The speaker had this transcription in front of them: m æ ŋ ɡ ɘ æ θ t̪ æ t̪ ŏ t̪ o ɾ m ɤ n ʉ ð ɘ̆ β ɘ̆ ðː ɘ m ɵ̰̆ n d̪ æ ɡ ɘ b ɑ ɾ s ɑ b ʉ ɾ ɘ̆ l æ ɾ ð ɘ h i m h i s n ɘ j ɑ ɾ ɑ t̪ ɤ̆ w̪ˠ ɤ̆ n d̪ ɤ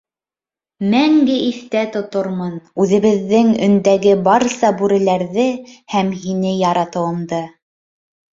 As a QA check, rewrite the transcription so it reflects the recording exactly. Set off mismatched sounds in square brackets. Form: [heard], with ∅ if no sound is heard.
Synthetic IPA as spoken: m æ ŋ ɡ ɘ [i] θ t̪ æ t̪ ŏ t̪ o ɾ m ɤ n ʉ ð ɘ̆ β ɘ̆ ðː ɘ [ŋ] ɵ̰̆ n d̪ æ ɡ ɘ b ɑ ɾ s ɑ b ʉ ɾ ɘ̆ l æ ɾ ð ɘ h [æ] m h i [∅] n ɘ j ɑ ɾ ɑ t̪ ɤ̆ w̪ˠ ɤ̆ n d̪ ɤ